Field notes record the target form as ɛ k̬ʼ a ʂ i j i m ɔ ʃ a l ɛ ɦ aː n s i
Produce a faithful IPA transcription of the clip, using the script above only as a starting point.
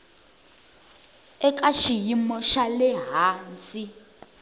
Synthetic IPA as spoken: ɛ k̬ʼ a ʃ i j i m ɔ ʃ a l ɛ ɦ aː n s i